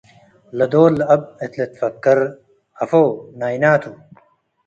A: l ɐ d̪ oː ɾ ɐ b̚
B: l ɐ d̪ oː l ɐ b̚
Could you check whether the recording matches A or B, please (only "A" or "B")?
B